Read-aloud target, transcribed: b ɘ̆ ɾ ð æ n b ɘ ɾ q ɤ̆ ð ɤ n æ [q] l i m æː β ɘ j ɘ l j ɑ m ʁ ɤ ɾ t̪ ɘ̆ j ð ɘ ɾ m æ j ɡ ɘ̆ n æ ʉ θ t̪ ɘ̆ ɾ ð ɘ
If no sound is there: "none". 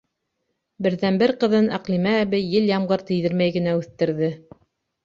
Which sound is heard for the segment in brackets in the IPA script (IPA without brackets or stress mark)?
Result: q